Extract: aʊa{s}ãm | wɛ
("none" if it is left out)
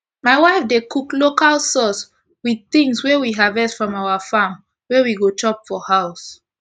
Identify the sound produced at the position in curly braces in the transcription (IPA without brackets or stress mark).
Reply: f